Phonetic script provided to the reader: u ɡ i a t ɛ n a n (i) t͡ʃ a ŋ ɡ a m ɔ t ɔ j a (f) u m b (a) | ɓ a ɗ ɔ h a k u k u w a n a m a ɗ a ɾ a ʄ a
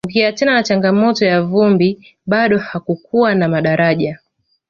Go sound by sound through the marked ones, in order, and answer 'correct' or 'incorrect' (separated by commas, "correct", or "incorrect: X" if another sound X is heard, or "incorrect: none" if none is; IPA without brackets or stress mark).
incorrect: a, incorrect: v, incorrect: i